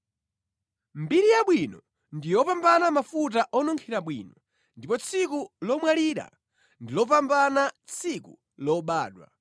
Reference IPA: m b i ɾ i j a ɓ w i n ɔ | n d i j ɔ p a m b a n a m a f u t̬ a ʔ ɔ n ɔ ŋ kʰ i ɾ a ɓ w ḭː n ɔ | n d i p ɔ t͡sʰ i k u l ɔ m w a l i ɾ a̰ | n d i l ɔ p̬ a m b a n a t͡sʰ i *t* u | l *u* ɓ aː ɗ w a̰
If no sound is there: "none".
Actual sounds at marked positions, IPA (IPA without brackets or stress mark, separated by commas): k, ɔ